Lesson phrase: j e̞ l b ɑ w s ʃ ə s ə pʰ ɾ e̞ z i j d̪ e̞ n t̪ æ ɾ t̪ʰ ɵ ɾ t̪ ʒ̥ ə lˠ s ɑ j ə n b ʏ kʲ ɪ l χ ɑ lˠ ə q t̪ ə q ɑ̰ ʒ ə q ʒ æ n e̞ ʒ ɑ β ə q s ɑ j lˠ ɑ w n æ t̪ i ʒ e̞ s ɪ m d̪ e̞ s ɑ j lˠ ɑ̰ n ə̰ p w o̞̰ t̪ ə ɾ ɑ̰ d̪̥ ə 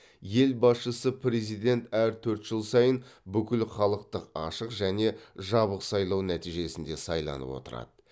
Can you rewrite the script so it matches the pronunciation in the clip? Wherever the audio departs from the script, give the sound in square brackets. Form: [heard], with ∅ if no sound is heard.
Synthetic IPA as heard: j e̞ l b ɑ [∅] s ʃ ə s ə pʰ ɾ e̞ z i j d̪ e̞ n t̪ æ ɾ t̪ʰ ɵ ɾ t̪ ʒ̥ ə lˠ s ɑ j ə n b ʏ kʲ ɪ l χ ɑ lˠ ə q t̪ ə q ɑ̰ [ʃ] ə q ʒ æ n e̞ ʒ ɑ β ə q s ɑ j lˠ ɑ w n æ t̪ i ʒ e̞ s ɪ [n] d̪ e̞ s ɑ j lˠ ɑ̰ n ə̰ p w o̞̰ t̪ ə ɾ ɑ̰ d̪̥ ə

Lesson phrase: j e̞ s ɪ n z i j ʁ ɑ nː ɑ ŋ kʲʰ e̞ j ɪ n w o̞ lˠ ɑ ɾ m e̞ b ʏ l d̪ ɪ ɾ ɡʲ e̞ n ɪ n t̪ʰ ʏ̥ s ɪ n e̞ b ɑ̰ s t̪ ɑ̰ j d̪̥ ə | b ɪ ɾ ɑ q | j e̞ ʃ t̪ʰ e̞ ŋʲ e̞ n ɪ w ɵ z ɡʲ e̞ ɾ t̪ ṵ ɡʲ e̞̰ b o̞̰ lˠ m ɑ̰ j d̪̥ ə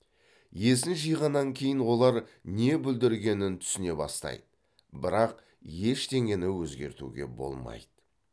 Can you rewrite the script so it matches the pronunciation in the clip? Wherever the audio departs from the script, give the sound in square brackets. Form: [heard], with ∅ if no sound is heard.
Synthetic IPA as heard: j e̞ s ɪ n [ʒ] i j ʁ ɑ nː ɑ ŋ kʲʰ e̞ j ɪ n w o̞ lˠ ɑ ɾ [n] e̞ b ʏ l d̪ ɪ ɾ ɡʲ e̞ n ɪ n t̪ʰ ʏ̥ s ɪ n e̞ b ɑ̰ s t̪ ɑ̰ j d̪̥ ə | b ɪ ɾ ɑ q | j e̞ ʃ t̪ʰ e̞ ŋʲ e̞ n ɪ w ɵ z ɡʲ e̞ ɾ t̪ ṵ ɡʲ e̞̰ b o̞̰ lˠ m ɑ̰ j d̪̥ ə

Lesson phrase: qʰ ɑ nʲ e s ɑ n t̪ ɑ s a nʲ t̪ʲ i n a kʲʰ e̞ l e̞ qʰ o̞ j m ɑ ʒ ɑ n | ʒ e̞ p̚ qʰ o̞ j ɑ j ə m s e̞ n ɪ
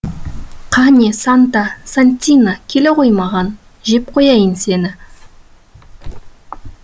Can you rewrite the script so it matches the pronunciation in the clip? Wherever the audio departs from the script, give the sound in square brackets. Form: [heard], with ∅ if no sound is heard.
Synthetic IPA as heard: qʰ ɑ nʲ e s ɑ n t̪ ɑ s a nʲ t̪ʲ i n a kʲʰ e̞ l e̞ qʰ o̞ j m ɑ [ʁ] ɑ n | ʒ e̞ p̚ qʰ o̞ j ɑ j ə [n] s e̞ n ɪ

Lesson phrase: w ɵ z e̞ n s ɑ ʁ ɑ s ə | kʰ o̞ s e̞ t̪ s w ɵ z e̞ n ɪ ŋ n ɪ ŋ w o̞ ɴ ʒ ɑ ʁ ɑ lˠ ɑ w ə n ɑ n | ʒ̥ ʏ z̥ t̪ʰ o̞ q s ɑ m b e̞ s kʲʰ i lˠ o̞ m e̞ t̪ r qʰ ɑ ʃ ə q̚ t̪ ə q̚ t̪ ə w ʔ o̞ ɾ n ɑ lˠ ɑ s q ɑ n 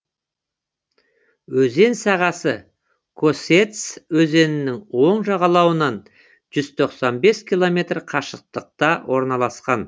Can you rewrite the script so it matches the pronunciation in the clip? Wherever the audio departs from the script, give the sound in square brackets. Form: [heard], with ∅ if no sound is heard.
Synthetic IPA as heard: w ɵ z e̞ n s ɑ ʁ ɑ s ə | kʰ o̞ s e̞ t̪ s w ɵ z e̞ n ɪ [∅] n ɪ ŋ w o̞ ɴ ʒ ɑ ʁ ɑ lˠ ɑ w ə n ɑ n | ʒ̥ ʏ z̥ t̪ʰ o̞ q s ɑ [n] b e̞ s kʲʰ i lˠ o̞ m e̞ t̪ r qʰ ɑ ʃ ə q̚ t̪ ə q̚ t̪ [ɑ] w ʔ o̞ ɾ n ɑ lˠ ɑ s q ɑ n

